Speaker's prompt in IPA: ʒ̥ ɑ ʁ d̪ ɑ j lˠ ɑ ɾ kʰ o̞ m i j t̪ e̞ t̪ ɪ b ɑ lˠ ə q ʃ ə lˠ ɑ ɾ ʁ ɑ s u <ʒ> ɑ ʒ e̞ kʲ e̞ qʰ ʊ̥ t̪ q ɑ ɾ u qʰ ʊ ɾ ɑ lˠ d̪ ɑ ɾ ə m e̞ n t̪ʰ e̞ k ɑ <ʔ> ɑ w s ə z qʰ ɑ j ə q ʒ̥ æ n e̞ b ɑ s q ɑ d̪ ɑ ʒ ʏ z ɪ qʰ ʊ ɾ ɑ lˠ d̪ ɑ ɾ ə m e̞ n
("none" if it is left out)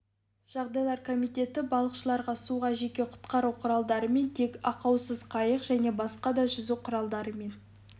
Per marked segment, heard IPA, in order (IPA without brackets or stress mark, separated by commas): ʁ, q